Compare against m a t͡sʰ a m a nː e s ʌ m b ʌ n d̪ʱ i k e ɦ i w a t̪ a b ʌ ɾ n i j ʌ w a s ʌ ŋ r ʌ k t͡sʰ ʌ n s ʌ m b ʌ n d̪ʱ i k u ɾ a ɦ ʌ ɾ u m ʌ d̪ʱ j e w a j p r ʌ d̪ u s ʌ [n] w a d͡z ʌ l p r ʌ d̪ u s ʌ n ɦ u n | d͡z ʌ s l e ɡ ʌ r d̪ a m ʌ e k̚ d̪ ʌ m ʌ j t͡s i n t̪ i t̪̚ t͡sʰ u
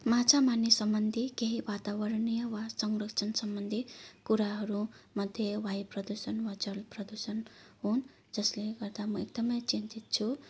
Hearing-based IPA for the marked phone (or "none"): n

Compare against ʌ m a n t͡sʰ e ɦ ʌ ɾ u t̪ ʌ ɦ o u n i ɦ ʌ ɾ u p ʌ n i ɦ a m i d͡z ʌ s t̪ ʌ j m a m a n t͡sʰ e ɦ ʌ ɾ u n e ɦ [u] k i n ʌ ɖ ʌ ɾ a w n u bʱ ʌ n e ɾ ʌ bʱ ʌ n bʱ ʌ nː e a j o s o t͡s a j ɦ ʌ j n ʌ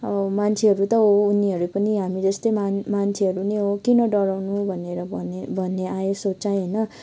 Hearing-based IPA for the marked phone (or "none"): o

